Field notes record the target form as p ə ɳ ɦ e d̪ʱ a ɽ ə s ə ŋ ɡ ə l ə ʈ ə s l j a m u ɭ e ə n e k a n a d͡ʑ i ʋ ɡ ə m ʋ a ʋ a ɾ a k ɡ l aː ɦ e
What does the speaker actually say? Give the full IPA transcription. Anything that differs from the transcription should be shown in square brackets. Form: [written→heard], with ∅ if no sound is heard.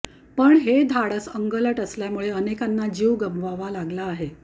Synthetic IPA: p ə ɳ ɦ e d̪ʱ a ɽ ə s ə ŋ ɡ ə l ə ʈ ə s l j a m u ɭ e ə n e k a [n→nː] a d͡ʑ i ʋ ɡ ə m ʋ a ʋ a [ɾ→l] a [k→∅] ɡ l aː ɦ e